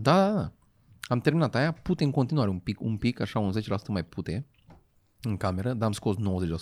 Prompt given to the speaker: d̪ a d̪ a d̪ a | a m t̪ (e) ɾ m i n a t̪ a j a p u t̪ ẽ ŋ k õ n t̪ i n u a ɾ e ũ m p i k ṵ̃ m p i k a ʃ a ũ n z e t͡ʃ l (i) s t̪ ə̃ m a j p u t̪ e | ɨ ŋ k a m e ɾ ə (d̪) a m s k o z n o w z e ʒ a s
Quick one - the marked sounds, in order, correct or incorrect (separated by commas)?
correct, incorrect, correct